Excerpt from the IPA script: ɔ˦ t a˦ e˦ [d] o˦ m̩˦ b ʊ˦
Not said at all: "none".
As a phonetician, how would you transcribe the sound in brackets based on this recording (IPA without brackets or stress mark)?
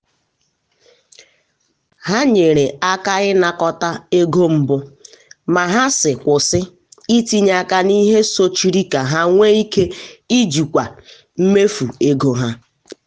ɡ